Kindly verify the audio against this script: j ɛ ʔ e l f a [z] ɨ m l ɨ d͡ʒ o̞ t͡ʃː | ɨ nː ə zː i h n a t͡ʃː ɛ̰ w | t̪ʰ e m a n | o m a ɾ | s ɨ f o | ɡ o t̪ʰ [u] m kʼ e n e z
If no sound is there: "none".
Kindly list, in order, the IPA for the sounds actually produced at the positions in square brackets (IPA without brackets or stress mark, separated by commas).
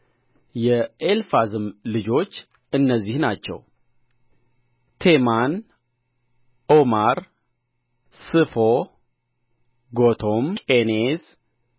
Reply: z, o